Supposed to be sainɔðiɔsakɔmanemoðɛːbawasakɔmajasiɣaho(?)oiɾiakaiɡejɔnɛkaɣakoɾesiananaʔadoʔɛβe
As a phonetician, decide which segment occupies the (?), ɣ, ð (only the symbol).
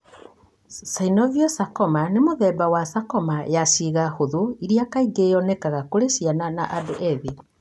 ð